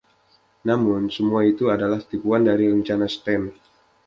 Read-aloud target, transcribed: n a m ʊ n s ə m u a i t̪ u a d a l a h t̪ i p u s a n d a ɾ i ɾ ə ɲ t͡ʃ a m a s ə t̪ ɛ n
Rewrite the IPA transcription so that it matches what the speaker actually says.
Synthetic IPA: n a m ʊ n s ə m u a i t̪ u a d a l a h t̪ i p u a n d a ɾ i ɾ ə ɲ t͡ʃ a n a s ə t̪ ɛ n